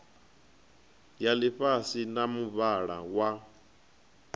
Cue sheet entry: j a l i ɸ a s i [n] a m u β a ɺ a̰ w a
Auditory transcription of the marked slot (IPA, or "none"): n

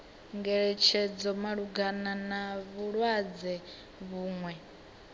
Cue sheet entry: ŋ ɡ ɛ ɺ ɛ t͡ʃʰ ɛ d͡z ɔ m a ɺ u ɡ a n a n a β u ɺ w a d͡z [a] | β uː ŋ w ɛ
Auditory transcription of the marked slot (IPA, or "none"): ɛ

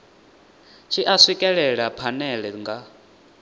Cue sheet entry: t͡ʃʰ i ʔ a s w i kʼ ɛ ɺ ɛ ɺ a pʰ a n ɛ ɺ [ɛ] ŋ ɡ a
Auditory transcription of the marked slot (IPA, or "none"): ɛ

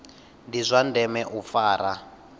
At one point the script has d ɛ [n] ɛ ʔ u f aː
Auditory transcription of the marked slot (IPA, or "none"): m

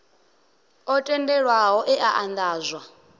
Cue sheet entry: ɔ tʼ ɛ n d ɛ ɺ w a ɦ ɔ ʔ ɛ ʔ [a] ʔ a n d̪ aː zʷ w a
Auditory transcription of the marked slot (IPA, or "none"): a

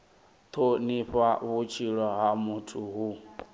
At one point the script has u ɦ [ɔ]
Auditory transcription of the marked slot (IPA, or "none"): u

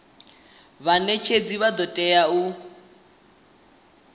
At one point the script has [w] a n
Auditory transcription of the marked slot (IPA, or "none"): β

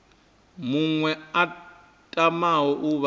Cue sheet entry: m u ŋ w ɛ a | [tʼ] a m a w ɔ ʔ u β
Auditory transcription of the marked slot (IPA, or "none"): tʼ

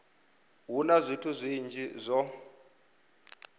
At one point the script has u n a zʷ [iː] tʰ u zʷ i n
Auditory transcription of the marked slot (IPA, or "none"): i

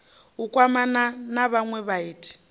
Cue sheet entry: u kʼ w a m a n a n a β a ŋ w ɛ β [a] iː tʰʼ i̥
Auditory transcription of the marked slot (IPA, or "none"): a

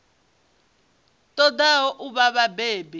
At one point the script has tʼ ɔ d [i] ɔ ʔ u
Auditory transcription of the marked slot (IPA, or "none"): a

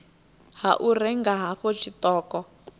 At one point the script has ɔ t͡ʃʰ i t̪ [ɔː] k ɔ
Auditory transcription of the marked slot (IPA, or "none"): ɔː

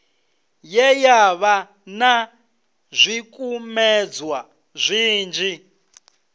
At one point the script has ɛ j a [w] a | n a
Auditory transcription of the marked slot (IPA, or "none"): β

